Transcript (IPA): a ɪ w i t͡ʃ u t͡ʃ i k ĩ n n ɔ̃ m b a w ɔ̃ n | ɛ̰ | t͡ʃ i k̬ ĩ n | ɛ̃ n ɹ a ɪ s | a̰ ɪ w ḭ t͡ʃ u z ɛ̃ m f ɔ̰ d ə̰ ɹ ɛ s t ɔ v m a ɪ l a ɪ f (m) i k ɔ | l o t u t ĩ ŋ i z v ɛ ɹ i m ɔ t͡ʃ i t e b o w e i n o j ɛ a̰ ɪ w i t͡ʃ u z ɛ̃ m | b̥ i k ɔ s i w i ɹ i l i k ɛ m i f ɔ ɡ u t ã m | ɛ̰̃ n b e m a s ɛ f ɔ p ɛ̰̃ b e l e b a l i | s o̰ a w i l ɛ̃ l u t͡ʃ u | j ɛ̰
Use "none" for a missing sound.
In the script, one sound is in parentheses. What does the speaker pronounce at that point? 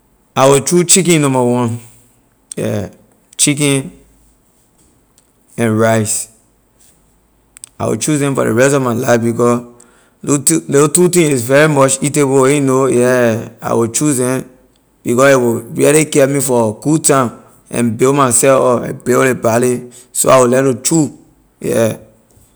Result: b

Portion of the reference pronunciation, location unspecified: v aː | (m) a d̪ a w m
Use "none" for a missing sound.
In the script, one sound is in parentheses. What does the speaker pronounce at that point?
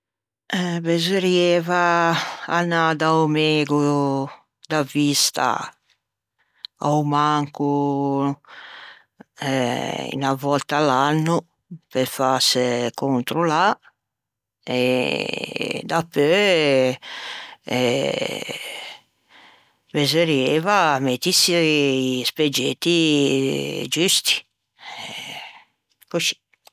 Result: n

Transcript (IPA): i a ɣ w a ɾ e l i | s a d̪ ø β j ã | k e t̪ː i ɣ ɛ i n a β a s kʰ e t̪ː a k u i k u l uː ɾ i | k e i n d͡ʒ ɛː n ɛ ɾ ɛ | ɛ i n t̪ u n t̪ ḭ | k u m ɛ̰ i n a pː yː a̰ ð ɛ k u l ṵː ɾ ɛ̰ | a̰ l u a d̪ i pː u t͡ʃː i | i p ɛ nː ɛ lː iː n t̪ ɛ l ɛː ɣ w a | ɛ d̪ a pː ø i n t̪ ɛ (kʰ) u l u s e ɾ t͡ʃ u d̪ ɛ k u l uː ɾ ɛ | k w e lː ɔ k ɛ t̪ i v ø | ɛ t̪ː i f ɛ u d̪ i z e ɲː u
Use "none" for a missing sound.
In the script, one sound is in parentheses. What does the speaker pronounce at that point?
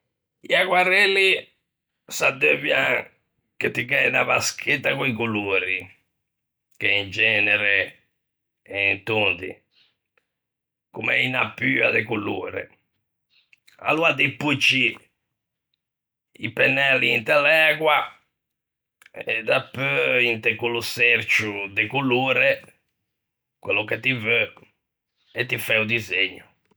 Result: k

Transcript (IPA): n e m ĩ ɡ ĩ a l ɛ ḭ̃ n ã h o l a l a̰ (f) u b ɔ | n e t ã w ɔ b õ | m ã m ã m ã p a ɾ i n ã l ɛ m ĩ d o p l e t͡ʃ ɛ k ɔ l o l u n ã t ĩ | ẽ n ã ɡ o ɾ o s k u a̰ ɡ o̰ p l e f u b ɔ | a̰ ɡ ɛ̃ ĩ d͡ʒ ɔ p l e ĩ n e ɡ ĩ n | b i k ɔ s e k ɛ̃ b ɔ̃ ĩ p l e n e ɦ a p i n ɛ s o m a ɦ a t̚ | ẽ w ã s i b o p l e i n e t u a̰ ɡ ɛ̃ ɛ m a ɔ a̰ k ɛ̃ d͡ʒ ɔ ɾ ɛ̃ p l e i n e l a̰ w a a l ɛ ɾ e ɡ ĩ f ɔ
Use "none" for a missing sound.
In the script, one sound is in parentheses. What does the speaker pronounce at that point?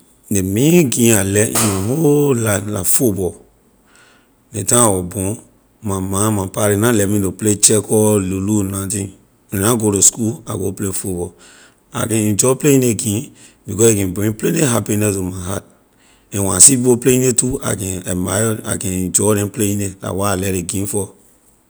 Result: f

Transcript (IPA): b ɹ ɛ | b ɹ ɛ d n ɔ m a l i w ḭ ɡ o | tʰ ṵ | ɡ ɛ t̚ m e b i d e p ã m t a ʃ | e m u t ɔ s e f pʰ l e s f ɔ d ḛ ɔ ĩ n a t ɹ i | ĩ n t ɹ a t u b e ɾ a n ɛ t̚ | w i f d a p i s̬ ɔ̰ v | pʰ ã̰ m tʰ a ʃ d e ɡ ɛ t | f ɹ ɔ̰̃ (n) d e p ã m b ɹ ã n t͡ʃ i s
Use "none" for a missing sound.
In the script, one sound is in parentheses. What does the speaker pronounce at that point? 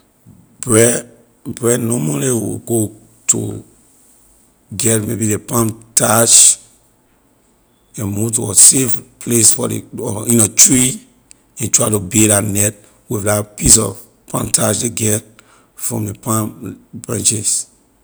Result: m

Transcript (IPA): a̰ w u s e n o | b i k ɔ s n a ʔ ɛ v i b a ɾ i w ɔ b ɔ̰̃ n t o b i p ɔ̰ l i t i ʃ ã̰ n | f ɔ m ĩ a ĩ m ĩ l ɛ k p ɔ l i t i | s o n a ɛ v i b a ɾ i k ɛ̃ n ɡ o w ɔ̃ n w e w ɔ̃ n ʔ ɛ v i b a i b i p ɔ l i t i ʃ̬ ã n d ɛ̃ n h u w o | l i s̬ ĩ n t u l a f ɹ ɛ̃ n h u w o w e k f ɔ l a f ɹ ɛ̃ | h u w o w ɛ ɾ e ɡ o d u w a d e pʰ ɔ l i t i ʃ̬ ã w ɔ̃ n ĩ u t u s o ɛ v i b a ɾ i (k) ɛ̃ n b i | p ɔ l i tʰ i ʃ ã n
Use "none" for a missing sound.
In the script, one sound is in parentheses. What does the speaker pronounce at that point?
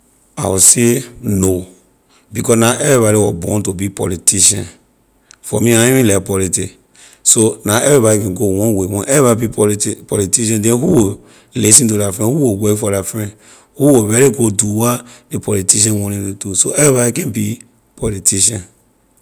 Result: k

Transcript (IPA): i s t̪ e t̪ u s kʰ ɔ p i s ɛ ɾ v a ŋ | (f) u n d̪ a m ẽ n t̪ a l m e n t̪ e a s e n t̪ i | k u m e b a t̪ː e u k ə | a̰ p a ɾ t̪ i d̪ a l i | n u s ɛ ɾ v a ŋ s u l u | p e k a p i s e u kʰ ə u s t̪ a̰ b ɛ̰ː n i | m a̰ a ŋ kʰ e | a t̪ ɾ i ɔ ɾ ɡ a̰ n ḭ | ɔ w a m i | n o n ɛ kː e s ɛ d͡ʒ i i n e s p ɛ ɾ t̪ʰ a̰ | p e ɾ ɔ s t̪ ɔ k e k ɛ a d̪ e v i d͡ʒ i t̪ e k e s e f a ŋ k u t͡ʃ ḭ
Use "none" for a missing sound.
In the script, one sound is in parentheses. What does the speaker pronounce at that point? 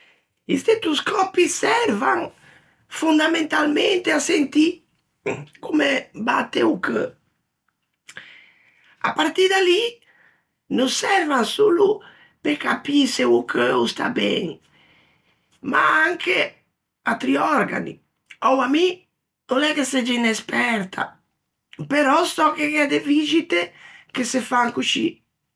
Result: f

